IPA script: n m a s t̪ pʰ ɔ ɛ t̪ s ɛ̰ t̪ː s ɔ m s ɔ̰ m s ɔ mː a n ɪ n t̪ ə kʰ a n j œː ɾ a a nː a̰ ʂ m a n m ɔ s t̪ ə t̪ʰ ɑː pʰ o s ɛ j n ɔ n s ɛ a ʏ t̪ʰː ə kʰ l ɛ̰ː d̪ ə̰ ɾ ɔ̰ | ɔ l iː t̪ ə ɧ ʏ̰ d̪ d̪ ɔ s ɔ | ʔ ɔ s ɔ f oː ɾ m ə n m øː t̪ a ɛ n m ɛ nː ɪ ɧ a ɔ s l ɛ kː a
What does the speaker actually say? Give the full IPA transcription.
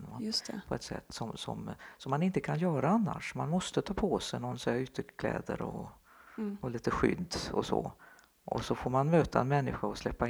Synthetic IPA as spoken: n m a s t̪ pʰ ɔ ɛ t̪ s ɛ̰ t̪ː s ɔ m s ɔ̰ m s ɔ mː a n ɪ n t̪ ə kʰ a n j œː ɾ a a nː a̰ ʂ m a n m ɔ s t̪ ə t̪ʰ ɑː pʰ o s ɛ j n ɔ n s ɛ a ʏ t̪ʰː ə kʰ l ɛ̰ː d̪ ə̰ ɾ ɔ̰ | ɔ l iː t̪ ə ɧ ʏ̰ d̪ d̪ ɔ s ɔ | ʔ ɔ s ɔ f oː ɾ m a n m øː t̪ a ɛ n m ɛ nː ɪ ɧ a ɔ s l ɛ pː a